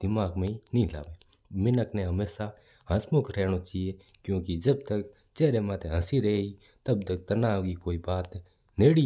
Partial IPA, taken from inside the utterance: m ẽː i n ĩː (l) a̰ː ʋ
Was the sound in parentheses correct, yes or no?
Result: yes